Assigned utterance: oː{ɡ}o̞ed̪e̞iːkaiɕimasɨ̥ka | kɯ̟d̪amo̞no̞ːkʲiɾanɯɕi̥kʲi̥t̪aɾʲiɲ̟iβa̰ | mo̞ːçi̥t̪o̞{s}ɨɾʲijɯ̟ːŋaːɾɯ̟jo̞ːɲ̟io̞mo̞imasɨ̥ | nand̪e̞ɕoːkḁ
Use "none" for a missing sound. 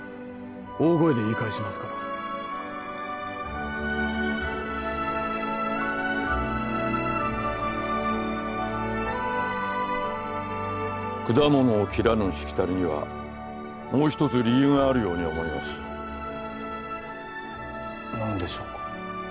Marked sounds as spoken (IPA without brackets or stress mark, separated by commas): ɡ, t͡s